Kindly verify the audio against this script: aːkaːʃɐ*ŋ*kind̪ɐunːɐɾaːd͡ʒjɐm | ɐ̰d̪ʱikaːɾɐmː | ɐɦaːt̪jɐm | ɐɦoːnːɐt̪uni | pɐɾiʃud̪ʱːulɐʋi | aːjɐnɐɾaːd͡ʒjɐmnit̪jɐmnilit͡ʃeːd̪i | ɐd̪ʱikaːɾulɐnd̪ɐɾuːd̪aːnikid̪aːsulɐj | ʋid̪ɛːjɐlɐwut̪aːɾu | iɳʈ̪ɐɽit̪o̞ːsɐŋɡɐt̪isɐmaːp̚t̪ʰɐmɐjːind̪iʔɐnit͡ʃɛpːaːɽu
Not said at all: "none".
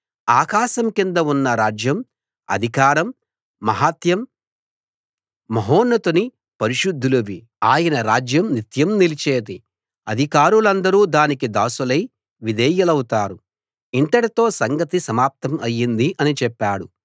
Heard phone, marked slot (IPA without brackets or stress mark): m